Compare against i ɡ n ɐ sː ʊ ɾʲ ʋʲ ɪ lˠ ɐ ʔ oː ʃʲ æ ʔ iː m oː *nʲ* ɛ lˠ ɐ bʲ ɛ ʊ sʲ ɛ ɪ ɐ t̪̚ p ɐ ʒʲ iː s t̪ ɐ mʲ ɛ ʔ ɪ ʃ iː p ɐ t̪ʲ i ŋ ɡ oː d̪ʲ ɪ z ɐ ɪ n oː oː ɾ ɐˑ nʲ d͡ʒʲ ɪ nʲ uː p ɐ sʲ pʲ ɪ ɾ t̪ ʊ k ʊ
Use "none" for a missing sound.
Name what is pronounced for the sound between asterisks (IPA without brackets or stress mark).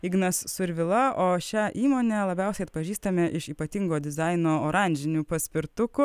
nʲ